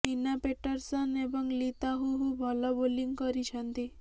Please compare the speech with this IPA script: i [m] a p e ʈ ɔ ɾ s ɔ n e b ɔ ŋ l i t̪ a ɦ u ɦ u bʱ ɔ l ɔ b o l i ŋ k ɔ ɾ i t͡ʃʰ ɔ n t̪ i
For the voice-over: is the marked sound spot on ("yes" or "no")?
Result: no